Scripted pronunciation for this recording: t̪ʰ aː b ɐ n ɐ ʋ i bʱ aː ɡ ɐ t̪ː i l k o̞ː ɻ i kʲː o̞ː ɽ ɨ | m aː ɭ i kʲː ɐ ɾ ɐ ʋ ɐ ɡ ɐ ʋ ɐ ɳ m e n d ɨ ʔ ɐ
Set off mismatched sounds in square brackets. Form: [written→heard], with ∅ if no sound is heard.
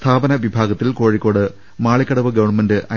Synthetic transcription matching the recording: t̪ʰ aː b ɐ n ɐ ʋ i bʱ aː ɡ ɐ t̪ː i l k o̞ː ɻ i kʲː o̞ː ɽ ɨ | m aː ɭ i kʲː ɐ [ɾ→ɽ] ɐ ʋ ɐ ɡ ɐ ʋ ɐ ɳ m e n d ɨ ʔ ɐ